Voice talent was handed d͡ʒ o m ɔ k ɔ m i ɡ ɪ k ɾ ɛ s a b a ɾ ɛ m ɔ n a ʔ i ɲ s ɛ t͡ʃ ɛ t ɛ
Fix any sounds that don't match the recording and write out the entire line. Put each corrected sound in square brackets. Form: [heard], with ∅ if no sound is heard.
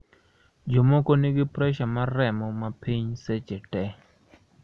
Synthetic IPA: d͡ʒ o m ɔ k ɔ [n] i ɡ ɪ [p] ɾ ɛ [ʃ] a [m] a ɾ ɛ m ɔ [m] a [p] i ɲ s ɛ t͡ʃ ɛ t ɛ